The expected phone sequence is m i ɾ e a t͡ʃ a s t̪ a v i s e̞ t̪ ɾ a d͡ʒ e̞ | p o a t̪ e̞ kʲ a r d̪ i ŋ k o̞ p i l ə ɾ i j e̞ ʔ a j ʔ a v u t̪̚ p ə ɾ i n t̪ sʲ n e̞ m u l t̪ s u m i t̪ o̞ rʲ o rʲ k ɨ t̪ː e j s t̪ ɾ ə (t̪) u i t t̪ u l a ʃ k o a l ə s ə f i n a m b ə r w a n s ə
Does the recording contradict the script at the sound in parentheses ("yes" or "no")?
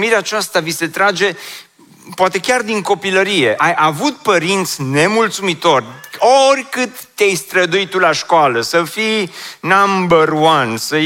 yes